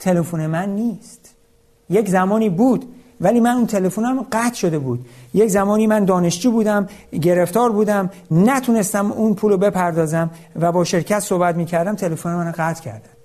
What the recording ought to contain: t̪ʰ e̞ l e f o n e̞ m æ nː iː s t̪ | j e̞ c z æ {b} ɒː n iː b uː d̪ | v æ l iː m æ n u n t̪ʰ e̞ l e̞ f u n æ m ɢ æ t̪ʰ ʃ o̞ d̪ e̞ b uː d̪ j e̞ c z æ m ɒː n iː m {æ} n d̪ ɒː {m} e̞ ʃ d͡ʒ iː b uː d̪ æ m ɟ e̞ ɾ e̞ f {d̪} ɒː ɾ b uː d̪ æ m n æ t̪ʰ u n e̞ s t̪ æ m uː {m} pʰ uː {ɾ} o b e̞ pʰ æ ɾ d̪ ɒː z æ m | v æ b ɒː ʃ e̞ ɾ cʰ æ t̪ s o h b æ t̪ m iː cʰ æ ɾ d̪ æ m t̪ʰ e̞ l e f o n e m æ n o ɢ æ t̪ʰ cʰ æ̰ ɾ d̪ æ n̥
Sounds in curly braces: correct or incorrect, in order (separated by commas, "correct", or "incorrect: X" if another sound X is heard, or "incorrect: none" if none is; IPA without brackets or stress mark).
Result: incorrect: m, correct, incorrect: n, incorrect: t̪, incorrect: n, incorrect: l